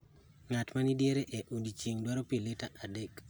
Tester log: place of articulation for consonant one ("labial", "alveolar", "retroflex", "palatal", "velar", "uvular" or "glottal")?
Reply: velar